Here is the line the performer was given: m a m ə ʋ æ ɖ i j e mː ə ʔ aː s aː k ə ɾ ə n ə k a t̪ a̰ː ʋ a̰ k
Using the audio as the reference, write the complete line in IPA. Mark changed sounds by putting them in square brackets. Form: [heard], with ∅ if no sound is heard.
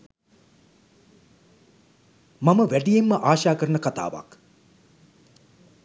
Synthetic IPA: m a m ə ʋ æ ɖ i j e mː ə ʔ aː [ʃ] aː k ə ɾ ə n ə k a t̪ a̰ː ʋ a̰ k

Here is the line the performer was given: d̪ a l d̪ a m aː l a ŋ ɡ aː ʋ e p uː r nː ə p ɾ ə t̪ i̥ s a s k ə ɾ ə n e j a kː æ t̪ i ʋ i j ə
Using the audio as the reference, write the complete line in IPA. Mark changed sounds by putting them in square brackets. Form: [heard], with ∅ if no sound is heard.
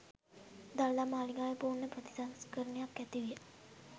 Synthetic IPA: d̪ a l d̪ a m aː l [i] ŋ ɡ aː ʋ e p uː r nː ə p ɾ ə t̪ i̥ s a s k ə ɾ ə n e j a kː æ t̪ i ʋ i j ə

